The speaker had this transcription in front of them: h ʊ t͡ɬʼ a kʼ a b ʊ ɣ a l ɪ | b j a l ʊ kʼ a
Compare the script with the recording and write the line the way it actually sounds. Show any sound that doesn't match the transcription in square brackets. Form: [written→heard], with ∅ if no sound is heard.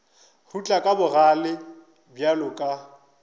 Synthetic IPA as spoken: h [ʊ→u] t͡ɬʼ a kʼ a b ʊ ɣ a l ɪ | b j a l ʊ kʼ a